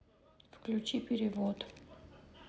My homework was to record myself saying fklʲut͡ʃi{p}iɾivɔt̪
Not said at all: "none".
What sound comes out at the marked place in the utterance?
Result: p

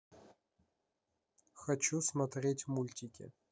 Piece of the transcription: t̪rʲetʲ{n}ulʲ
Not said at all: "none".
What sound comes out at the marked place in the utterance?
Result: m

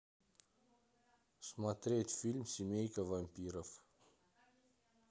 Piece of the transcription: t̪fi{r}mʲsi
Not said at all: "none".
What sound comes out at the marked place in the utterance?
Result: l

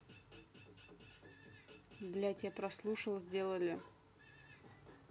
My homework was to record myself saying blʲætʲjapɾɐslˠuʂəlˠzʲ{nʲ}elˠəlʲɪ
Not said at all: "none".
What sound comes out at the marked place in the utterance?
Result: dʲ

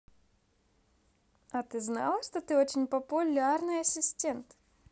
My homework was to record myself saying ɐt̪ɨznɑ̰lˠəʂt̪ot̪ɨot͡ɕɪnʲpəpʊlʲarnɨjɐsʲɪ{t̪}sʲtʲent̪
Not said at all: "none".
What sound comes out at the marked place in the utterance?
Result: none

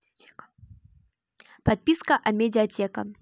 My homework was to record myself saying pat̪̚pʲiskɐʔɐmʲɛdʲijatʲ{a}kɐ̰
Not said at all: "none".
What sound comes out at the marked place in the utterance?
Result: ɛ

